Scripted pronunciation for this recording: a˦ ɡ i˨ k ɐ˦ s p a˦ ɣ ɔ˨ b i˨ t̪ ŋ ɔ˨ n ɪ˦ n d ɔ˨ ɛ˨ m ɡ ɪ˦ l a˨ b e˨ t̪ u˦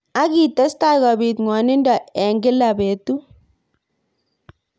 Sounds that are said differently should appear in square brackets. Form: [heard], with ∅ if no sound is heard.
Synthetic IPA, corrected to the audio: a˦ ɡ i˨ [t] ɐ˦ s [t] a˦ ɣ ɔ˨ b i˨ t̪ ŋ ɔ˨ n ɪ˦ n d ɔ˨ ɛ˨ [ŋ] ɡ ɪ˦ l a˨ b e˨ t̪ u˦